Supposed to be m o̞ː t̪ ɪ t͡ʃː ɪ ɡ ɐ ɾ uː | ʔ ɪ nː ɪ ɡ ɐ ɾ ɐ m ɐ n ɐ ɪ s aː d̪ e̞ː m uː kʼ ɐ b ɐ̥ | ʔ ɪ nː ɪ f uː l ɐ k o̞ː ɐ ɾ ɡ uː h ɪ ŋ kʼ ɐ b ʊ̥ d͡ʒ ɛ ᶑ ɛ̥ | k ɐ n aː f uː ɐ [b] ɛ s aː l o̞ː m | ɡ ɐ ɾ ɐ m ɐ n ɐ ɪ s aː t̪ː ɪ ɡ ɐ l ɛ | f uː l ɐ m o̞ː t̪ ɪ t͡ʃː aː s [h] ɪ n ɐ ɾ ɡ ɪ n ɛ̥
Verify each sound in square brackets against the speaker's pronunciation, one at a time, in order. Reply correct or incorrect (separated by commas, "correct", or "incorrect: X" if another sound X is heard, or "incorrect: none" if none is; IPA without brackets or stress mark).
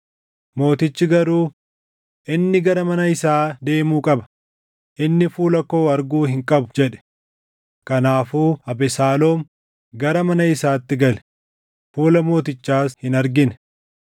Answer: correct, correct